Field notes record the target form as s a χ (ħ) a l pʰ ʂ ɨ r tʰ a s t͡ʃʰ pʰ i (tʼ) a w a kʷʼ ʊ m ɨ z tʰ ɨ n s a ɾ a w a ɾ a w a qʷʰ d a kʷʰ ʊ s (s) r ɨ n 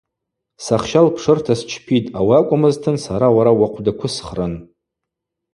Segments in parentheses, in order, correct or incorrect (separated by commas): incorrect, correct, incorrect